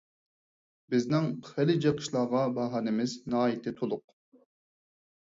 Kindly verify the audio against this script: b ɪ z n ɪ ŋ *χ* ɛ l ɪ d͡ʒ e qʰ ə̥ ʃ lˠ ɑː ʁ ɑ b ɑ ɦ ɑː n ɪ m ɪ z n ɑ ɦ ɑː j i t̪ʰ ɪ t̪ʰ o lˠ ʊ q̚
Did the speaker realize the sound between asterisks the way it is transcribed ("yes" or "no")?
yes